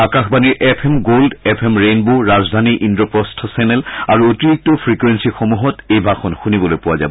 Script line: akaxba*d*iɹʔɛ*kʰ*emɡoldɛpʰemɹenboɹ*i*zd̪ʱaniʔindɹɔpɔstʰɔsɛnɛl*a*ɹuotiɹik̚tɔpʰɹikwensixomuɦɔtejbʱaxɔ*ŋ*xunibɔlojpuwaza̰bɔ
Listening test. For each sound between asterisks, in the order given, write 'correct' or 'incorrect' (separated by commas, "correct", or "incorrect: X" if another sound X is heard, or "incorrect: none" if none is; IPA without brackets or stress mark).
incorrect: n, incorrect: pʰ, incorrect: a, correct, incorrect: n